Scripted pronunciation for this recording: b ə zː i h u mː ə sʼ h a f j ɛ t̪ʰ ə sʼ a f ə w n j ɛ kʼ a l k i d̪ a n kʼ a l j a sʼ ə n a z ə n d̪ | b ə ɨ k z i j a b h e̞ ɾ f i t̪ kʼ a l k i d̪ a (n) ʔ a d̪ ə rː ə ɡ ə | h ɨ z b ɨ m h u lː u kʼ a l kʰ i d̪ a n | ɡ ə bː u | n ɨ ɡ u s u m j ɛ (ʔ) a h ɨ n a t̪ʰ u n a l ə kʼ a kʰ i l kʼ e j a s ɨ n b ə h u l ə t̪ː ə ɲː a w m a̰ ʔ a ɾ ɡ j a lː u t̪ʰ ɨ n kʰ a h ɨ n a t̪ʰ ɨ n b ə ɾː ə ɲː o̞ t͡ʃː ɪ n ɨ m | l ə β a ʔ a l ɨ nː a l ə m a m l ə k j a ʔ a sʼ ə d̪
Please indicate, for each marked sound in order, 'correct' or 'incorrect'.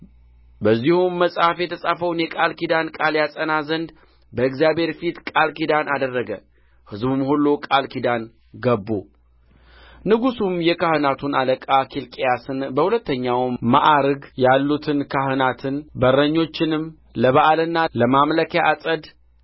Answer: correct, incorrect

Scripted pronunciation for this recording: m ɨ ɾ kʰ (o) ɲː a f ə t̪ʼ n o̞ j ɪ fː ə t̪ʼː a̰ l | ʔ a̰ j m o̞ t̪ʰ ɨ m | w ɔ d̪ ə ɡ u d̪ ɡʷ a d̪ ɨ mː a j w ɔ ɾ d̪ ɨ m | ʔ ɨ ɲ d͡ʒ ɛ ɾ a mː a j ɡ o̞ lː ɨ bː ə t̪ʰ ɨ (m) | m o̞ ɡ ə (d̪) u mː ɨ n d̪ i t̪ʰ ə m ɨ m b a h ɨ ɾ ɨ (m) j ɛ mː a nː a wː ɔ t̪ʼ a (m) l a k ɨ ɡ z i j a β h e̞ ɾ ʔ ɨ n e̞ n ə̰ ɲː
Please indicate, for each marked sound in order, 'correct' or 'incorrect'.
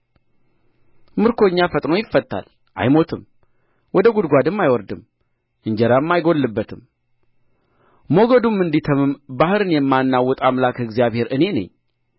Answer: correct, correct, correct, incorrect, correct

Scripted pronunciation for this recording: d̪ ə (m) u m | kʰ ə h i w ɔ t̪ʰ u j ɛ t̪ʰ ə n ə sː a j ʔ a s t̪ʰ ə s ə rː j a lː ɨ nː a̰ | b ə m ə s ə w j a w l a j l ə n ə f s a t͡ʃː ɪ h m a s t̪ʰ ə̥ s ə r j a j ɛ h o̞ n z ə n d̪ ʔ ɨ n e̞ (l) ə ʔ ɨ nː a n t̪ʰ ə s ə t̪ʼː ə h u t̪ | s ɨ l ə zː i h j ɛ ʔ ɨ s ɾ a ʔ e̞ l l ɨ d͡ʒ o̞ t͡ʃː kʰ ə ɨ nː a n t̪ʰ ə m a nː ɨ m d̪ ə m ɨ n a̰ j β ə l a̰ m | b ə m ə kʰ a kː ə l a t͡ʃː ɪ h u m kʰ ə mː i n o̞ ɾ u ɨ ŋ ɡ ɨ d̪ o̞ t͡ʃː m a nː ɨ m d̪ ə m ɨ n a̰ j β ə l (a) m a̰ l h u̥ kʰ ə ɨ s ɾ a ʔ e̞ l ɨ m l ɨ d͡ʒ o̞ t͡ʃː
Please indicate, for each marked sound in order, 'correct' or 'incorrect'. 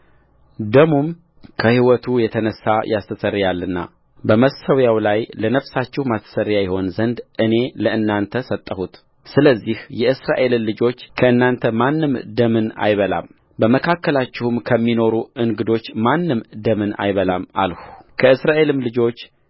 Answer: correct, correct, correct

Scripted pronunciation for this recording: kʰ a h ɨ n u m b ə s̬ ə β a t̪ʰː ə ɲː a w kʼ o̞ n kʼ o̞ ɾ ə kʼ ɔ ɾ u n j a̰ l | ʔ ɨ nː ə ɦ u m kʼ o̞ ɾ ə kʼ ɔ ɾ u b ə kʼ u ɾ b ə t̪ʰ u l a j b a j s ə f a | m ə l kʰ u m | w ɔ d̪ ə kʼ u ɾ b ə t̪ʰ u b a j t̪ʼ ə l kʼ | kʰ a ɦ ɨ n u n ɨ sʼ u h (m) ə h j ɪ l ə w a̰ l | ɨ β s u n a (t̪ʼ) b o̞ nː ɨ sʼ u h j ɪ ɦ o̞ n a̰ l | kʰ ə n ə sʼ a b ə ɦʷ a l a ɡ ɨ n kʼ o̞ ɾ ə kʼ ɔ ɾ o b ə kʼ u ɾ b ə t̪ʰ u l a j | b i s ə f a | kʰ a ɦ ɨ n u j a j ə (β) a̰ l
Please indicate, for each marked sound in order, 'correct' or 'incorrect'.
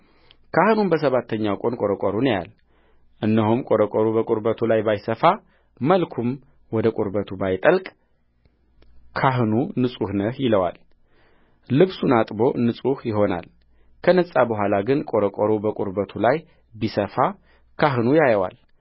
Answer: incorrect, correct, incorrect

